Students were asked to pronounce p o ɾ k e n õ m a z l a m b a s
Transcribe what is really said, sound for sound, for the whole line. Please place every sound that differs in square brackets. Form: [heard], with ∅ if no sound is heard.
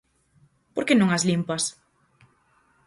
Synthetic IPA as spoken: p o ɾ k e n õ [ŋ] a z l [i] m [p] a s